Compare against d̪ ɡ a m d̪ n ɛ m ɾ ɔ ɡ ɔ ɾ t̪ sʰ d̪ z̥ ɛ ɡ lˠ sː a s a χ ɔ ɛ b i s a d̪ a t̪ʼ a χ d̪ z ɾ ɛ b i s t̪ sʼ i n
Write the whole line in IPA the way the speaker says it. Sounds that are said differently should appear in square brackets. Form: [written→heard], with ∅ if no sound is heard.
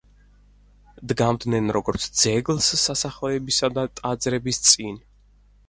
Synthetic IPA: d̪ ɡ a m d̪ n ɛ [m→n] ɾ ɔ ɡ ɔ ɾ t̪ sʰ d̪ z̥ ɛ ɡ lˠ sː a s a χ ɔ ɛ b i s a d̪ a t̪ʼ a [χ→∅] d̪ z ɾ ɛ b i s t̪ sʼ i n